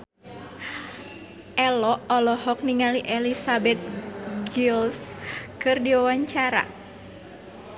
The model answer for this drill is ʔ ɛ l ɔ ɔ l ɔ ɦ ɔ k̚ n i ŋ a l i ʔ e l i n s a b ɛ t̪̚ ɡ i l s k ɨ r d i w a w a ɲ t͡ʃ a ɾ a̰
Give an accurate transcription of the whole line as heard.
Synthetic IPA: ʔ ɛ l ɔ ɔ l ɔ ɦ ɔ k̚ n i ŋ a l i ʔ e l i s a b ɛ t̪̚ ɡ i l s k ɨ r d i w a w a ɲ t͡ʃ a ɾ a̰